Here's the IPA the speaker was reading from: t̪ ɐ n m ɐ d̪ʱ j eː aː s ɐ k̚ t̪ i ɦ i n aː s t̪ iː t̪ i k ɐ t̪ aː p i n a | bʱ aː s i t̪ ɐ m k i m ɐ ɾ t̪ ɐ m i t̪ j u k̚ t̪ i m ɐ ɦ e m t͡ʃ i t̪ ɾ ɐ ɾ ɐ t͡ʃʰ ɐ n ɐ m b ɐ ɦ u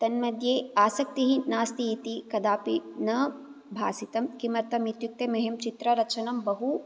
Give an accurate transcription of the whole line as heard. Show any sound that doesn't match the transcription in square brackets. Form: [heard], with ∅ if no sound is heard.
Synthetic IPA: t̪ ɐ n m ɐ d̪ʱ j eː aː s ɐ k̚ t̪ i ɦ i n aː s t̪ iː t̪ i k ɐ [d̪] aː p i n [ɐ] | bʱ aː s i t̪ ɐ m k i m ɐ ɾ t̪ ɐ m i t̪ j u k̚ t̪ [e] m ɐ ɦ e m t͡ʃ i t̪ ɾ ɐ ɾ ɐ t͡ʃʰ ɐ n ɐ m b ɐ ɦ u